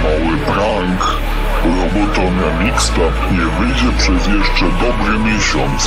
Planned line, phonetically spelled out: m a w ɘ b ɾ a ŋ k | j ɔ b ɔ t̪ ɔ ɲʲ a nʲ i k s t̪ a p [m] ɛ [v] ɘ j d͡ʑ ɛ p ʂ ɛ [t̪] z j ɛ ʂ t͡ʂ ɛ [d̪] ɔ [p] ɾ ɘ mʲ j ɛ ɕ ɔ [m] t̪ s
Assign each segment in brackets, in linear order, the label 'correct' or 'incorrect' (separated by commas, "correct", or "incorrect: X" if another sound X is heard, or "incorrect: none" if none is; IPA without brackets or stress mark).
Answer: incorrect: ɲ, correct, incorrect: none, correct, incorrect: b, incorrect: n